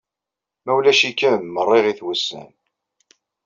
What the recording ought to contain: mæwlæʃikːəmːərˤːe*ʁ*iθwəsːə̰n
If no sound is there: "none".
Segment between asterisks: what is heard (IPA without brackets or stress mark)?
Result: ʁ